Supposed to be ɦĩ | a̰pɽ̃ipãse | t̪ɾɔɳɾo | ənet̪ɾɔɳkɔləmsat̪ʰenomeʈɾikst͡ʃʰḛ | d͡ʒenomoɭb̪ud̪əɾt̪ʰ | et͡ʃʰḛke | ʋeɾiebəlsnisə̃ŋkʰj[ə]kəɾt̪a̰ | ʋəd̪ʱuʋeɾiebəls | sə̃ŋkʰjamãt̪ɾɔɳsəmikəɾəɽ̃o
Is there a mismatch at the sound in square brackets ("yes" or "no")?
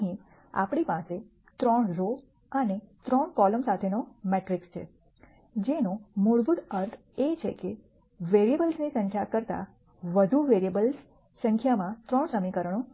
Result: yes